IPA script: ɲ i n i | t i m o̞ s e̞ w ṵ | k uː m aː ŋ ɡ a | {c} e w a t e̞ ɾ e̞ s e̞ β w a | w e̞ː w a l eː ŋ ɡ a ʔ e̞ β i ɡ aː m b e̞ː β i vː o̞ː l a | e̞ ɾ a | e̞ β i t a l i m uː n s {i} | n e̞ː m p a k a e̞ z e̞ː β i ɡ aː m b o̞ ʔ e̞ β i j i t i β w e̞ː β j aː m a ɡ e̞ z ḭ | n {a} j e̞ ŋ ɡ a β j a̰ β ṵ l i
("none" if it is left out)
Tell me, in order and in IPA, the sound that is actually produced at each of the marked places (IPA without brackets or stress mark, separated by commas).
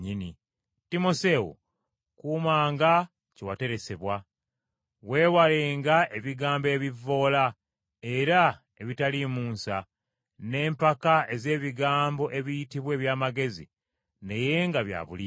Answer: c, a, e